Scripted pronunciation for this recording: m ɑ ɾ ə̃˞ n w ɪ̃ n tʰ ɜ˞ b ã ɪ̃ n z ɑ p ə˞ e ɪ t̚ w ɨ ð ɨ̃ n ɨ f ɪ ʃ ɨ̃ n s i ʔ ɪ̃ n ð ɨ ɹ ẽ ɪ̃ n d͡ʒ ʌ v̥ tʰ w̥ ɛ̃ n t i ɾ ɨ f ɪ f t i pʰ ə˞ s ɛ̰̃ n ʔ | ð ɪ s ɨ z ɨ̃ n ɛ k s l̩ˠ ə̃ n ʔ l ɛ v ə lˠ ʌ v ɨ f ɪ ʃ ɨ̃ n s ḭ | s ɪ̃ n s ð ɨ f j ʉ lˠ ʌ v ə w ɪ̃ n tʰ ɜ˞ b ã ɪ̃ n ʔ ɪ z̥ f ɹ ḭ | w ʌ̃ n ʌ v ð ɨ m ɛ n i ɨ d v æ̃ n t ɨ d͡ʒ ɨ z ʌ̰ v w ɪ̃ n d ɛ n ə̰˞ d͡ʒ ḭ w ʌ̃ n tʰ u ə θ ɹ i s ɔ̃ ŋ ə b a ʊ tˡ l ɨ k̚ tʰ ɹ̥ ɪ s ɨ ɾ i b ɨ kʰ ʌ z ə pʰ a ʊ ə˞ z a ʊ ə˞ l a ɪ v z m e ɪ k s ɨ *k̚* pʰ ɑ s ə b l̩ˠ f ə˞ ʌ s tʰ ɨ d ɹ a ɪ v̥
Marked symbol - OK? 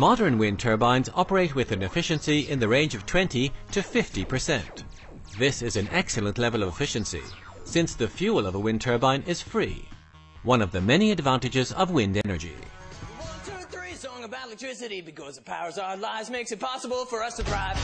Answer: no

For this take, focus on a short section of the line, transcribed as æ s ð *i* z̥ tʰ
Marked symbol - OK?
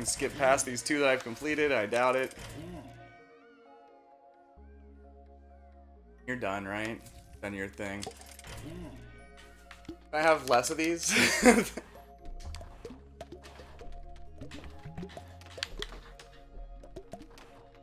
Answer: yes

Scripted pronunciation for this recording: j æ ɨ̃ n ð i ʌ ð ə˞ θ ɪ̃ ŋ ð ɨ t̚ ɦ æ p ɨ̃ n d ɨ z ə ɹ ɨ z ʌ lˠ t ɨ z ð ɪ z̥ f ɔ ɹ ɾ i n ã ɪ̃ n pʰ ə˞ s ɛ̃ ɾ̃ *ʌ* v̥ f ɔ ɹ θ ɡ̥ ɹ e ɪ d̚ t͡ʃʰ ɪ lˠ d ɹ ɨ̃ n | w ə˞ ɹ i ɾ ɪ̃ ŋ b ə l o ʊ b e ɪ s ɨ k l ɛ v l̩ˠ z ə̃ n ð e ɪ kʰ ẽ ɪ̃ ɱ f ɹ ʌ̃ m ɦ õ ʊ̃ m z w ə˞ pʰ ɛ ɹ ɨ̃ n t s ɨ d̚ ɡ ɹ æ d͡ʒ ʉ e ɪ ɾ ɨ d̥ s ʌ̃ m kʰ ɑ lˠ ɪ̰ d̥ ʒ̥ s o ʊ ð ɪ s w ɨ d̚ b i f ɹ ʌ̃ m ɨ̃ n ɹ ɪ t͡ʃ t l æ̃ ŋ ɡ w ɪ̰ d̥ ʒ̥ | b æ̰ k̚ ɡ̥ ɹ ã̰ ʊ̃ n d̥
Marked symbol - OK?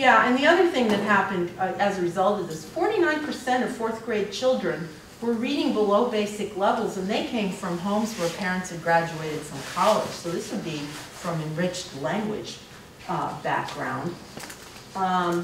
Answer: yes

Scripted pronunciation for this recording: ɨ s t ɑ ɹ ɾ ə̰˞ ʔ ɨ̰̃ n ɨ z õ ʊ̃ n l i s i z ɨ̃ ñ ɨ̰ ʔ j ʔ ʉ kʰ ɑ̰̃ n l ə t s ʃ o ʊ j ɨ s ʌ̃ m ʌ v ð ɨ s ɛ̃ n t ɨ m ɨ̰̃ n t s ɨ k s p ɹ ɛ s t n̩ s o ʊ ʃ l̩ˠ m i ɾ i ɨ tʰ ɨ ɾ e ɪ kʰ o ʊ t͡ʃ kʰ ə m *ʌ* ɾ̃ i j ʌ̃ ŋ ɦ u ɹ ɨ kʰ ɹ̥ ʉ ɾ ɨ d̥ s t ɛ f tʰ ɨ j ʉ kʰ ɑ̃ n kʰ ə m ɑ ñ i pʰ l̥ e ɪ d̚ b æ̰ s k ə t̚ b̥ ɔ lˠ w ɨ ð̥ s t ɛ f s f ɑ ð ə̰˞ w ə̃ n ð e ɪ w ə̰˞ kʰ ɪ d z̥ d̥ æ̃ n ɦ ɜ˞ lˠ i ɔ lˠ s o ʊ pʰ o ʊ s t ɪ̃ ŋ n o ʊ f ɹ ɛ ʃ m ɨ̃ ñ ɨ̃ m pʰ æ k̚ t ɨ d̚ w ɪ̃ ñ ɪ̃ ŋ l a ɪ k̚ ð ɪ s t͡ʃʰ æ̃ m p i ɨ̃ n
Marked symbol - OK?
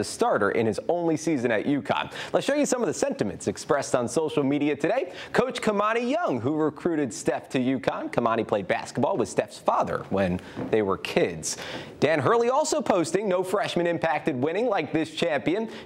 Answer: no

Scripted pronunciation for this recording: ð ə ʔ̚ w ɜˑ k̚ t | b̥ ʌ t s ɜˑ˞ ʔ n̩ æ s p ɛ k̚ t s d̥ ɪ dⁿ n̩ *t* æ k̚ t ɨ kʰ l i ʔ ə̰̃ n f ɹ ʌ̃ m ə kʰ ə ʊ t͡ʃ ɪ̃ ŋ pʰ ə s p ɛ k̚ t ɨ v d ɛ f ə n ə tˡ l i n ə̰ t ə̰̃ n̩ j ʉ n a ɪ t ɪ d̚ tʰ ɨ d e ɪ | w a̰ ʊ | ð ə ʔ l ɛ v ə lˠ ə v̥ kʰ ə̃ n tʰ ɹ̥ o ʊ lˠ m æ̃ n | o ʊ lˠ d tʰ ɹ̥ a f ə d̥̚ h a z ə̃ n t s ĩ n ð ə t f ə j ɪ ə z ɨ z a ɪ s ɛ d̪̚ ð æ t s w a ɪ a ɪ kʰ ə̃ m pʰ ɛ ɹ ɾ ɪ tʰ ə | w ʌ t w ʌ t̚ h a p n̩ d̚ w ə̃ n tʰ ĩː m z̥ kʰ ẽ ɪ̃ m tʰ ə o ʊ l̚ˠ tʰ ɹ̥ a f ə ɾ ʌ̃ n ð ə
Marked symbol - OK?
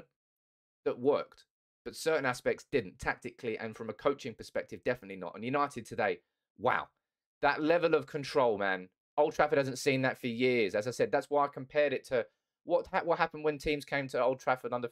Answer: no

